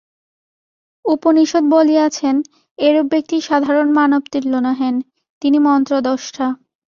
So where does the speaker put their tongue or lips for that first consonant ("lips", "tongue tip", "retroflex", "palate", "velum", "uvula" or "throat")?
lips